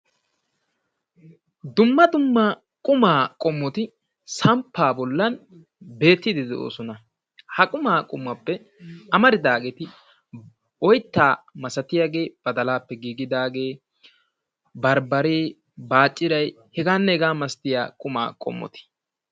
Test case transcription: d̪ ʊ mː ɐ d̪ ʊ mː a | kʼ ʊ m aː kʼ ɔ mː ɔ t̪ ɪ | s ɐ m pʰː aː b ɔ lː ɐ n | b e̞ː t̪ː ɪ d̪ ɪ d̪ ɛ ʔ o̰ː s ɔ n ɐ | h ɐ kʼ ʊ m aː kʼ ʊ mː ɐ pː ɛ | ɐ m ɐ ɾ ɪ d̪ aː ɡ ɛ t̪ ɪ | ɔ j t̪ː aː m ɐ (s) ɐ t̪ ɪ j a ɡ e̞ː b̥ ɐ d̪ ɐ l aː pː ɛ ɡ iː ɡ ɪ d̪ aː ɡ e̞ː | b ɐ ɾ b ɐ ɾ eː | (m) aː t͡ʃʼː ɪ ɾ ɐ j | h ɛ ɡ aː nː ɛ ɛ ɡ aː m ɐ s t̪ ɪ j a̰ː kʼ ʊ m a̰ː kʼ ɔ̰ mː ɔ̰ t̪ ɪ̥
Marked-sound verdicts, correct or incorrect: correct, incorrect: b

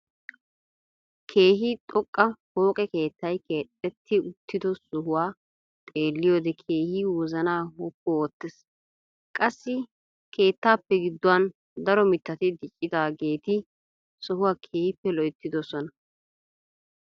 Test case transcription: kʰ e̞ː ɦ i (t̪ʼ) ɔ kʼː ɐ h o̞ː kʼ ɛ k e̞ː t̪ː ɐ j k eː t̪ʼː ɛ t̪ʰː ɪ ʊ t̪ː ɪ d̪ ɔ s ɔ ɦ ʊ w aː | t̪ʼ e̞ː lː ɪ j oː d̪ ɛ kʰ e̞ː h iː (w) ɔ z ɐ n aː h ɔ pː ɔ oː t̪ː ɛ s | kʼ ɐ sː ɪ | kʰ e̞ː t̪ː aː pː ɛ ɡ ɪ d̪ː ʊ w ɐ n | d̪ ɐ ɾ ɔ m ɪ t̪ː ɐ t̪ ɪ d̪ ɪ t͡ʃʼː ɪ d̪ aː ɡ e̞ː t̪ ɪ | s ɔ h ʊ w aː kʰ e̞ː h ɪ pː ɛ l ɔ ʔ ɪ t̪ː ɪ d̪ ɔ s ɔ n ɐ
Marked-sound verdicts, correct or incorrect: correct, correct

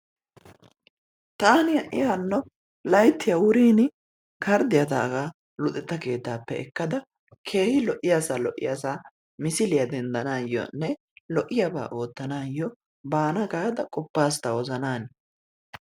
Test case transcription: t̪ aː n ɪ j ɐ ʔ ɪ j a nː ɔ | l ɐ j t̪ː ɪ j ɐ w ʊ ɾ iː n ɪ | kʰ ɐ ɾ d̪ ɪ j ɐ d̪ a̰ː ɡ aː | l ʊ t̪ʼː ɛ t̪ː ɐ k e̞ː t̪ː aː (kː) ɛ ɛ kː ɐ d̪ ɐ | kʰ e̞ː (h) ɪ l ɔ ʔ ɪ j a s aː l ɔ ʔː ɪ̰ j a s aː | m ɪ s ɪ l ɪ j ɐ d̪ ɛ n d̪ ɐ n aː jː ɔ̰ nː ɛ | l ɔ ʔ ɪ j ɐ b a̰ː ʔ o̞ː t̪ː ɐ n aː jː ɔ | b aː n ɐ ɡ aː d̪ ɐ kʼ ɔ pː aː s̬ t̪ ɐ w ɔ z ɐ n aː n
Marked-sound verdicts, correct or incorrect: incorrect: pː, correct

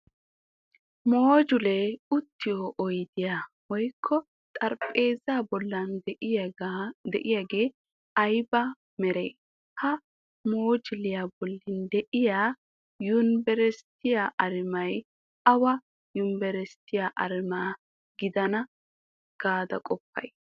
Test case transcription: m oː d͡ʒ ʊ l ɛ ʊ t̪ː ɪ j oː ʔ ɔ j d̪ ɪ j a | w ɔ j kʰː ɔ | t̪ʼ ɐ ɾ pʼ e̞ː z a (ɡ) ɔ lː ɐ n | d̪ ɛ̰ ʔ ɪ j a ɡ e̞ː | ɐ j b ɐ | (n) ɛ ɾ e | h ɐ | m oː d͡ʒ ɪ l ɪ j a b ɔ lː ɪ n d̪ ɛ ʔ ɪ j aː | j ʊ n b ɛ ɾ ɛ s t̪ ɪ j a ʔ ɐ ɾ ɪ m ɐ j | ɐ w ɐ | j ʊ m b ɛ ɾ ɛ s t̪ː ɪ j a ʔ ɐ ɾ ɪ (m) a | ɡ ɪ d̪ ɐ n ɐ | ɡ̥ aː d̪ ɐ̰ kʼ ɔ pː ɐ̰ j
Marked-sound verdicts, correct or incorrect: incorrect: b, incorrect: m, correct

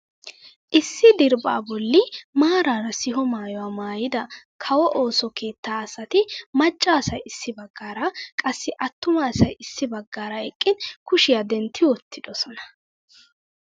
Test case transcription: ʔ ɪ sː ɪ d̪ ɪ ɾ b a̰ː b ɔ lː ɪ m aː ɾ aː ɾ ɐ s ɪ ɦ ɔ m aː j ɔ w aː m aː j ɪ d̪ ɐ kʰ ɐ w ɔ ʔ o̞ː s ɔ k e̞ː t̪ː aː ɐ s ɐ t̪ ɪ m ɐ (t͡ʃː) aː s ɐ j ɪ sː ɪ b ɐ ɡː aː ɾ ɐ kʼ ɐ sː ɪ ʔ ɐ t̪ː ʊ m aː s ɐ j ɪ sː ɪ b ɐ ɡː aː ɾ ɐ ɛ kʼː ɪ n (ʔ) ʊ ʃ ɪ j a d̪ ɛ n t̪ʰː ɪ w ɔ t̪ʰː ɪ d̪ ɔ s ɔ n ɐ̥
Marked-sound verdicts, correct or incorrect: incorrect: t͡ʃʼː, incorrect: k

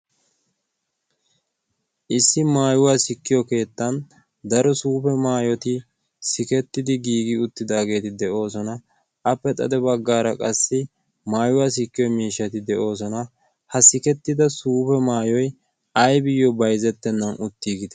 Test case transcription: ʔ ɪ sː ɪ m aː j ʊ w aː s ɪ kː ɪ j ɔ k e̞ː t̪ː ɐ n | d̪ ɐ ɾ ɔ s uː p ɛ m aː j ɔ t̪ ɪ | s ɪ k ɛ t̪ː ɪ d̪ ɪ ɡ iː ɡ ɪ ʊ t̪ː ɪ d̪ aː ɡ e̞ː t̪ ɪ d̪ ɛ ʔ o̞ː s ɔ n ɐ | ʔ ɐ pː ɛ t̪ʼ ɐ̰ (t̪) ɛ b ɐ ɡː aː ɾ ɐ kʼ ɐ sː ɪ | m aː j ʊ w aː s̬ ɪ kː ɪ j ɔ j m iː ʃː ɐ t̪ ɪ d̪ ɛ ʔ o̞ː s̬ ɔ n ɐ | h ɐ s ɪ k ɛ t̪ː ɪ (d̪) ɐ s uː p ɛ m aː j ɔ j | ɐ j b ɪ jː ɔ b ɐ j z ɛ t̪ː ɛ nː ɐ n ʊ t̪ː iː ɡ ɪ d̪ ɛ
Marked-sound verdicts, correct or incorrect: incorrect: d̪, correct

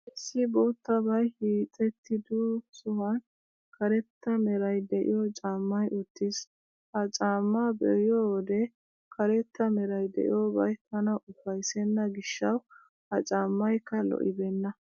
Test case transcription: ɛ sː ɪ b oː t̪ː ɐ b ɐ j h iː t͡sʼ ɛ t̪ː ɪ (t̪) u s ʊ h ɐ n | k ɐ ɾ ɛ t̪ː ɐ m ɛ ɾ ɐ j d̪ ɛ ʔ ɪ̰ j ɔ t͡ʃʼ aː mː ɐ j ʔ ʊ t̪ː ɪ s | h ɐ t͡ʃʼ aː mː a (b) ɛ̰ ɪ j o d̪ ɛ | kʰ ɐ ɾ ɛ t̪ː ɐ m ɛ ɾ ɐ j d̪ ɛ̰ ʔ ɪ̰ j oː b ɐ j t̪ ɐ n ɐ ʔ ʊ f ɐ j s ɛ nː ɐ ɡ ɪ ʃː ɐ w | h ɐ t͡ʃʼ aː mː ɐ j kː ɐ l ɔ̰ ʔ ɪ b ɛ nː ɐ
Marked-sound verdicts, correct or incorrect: incorrect: d̪, correct

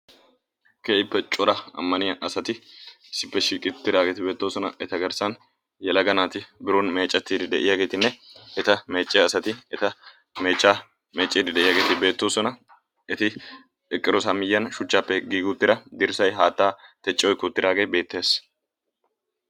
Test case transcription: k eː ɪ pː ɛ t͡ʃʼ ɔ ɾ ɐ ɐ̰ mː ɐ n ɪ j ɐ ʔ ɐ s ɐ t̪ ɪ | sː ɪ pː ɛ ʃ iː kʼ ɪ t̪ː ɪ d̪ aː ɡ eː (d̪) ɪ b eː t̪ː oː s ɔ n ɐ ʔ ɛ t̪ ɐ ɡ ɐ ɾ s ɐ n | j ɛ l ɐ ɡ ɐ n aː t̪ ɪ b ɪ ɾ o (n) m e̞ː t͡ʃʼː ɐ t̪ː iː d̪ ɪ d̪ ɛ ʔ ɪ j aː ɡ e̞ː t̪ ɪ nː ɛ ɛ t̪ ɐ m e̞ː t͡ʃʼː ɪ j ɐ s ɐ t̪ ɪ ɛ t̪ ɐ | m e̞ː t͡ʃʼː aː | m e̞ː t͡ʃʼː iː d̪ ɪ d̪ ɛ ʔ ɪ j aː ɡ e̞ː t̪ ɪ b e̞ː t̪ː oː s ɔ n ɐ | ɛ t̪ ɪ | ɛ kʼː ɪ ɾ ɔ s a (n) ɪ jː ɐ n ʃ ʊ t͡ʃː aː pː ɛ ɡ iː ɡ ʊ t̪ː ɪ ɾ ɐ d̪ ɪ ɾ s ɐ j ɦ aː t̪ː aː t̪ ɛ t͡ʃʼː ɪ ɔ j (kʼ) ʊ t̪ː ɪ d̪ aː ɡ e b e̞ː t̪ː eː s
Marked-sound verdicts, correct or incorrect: incorrect: t̪, correct, incorrect: m, incorrect: k

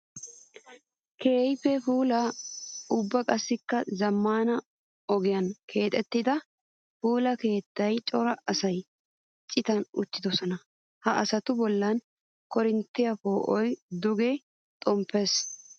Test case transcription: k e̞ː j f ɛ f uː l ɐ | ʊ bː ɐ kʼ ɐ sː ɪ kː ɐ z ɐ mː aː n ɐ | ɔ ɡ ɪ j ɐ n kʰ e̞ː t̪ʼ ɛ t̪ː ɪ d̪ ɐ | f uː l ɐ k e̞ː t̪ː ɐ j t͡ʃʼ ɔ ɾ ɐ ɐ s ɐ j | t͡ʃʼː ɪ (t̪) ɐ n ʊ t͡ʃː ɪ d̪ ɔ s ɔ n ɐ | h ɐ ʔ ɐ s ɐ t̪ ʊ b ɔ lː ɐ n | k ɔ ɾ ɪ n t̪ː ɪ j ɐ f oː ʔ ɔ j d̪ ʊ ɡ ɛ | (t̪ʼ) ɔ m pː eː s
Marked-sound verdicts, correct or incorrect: correct, correct

